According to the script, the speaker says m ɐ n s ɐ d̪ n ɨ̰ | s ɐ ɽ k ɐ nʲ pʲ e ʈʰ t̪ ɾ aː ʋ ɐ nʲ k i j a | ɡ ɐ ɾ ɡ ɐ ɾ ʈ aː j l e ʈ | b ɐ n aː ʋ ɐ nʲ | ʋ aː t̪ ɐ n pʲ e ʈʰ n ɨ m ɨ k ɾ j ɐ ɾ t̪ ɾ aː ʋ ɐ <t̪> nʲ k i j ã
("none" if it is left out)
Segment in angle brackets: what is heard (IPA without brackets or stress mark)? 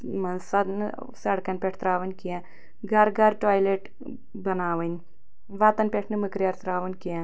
none